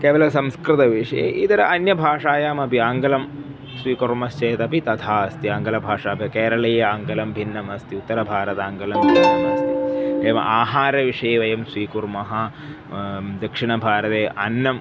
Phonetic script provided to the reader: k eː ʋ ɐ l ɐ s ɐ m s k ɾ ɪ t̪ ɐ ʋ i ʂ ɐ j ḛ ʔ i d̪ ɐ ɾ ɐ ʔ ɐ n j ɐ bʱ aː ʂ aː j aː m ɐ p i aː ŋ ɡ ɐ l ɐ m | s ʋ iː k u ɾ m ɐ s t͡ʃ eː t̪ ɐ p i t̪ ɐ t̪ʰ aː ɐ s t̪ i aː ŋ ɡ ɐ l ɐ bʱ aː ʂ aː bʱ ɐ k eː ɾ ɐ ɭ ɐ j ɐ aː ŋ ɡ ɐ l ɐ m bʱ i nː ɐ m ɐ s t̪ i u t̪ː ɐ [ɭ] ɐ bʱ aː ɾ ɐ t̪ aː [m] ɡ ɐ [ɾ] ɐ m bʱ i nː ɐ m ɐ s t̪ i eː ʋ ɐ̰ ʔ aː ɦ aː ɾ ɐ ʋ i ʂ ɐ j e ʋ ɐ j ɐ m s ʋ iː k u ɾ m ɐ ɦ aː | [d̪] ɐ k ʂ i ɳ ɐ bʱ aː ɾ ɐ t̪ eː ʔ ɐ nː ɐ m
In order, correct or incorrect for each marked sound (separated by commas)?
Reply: incorrect, incorrect, incorrect, correct